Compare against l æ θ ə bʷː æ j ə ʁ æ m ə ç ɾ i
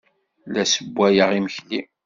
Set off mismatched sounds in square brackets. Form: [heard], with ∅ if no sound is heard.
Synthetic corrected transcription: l æ [s] ə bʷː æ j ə ʁ [i] m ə ç [l] i